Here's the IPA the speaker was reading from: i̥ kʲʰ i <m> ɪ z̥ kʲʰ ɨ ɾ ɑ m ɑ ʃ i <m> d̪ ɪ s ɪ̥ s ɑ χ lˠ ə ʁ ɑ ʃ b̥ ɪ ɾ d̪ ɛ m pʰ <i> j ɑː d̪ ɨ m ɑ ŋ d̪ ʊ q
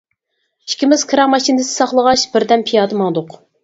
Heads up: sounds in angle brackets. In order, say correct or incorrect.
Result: correct, incorrect, correct

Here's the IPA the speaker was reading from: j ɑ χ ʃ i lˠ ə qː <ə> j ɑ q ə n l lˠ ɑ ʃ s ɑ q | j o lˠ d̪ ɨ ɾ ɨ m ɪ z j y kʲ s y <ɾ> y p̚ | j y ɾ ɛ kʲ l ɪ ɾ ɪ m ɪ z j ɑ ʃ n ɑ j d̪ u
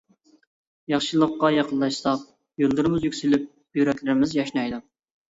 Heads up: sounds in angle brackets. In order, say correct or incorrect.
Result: incorrect, incorrect

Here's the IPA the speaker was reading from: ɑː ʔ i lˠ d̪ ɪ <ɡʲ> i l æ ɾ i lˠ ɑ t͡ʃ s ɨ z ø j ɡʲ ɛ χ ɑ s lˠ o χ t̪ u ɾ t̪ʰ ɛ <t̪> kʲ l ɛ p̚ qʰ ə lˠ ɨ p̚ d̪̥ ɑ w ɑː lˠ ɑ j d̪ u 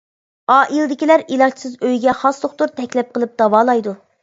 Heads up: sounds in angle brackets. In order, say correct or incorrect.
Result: incorrect, incorrect

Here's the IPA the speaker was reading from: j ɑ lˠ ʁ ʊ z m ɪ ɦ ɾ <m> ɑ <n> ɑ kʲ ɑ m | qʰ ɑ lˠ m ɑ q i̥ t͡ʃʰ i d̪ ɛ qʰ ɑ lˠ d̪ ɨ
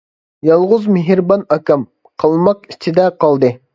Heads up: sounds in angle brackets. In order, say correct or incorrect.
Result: incorrect, correct

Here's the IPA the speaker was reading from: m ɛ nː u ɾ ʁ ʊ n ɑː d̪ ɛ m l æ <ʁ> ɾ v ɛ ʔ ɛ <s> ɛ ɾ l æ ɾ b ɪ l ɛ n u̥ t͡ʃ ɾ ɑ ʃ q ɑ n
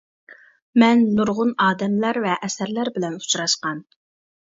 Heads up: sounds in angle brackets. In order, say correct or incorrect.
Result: incorrect, correct

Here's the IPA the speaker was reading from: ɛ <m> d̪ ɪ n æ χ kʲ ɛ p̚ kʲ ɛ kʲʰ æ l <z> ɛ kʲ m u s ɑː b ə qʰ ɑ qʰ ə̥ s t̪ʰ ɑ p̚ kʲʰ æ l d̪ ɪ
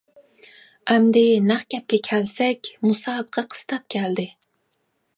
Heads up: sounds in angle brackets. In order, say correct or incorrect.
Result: correct, incorrect

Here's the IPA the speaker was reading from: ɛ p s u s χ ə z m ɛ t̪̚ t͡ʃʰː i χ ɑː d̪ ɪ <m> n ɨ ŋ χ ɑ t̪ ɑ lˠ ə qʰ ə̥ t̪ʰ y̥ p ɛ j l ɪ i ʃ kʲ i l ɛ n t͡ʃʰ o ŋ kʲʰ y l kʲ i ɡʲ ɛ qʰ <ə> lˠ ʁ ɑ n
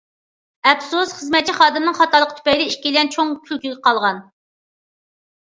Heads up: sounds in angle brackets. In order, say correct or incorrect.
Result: correct, incorrect

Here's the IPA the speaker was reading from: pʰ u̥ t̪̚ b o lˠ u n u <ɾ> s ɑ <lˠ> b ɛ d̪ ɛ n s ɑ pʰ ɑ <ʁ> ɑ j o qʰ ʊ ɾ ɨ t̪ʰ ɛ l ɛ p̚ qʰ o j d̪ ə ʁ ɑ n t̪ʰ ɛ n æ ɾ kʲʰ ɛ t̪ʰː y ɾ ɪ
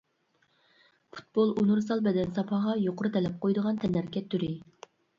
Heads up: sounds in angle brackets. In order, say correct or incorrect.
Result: correct, correct, correct

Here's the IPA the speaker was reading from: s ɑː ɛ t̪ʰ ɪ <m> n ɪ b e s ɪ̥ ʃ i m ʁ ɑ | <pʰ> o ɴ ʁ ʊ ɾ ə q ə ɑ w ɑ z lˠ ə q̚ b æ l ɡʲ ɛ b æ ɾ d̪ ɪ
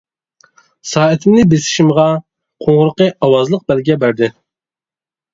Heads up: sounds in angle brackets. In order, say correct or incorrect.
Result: correct, incorrect

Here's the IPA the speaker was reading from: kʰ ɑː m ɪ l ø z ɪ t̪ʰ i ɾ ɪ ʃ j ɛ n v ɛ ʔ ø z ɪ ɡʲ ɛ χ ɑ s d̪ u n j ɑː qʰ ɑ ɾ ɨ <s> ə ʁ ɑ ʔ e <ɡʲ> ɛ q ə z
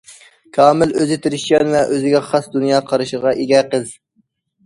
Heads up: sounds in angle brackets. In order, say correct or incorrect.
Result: incorrect, correct

